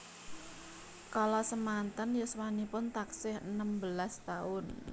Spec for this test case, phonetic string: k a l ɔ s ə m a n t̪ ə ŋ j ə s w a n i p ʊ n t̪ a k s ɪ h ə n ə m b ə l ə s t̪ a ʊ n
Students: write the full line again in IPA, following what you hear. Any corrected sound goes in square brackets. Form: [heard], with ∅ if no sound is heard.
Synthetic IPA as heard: k a l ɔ s ə m a n t̪ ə [n] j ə s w a n i p ʊ n t̪ a k s ɪ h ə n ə m b ə l [a] s t̪ a ʊ n